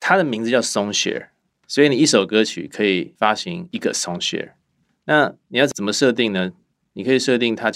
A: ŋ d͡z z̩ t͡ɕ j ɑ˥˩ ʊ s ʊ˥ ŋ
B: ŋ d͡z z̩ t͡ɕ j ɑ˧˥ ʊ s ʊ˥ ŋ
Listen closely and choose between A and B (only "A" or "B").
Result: A